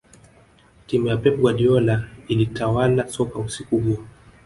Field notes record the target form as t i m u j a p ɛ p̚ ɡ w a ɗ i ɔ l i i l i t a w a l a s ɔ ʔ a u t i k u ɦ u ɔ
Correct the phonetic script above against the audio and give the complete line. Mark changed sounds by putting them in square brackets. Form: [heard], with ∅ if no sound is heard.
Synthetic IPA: t i m u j a p ɛ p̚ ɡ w a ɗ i ɔ l [a] i l i t a w a l a s ɔ [k] a u [s] i k u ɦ u ɔ